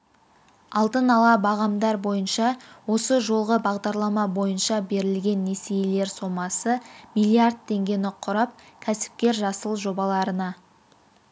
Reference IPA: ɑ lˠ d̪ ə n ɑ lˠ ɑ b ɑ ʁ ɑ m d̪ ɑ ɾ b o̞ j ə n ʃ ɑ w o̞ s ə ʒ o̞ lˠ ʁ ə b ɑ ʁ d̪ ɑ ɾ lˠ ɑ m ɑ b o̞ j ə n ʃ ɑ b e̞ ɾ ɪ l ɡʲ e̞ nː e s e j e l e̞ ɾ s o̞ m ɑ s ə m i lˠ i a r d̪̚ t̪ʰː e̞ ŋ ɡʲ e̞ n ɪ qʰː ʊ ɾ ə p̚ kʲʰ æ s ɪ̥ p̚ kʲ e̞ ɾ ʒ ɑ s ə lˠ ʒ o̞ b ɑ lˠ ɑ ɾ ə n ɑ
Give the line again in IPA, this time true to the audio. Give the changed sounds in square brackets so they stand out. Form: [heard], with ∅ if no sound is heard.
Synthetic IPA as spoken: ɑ lˠ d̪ ə n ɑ lˠ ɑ b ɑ ʁ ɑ m d̪ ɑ ɾ b o̞ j ə n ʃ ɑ w o̞ s ə ʒ o̞ lˠ ʁ ə b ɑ ʁ d̪ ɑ ɾ lˠ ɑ m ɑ b o̞ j ə n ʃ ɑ b e̞ ɾ ɪ l ɡʲ e̞ nː e s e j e l e̞ ɾ s o̞ m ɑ s ə m i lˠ i a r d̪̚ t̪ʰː e̞ ŋ ɡʲ e̞ n ɪ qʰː ʊ ɾ [ɑ] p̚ kʲʰ æ s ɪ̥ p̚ kʲ e̞ ɾ ʒ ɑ s ə lˠ ʒ o̞ b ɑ lˠ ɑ ɾ ə n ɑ